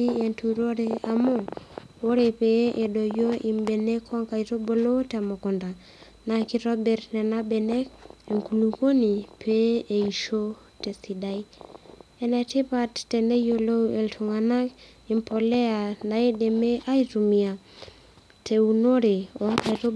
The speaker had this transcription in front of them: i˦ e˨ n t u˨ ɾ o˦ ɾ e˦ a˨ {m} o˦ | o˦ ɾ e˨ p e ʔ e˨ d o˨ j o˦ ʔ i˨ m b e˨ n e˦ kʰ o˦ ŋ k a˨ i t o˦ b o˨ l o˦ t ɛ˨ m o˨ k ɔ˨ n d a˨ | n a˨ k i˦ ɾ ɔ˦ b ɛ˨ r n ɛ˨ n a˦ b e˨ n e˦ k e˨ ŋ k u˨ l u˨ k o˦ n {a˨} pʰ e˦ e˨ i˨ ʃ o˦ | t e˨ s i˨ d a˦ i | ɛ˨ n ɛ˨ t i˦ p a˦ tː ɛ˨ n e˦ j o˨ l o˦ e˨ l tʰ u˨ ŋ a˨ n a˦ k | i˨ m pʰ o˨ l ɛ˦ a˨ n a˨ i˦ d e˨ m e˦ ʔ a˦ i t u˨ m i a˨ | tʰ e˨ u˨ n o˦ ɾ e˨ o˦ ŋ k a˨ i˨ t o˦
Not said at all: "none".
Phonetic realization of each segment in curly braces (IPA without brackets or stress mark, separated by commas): m, i˨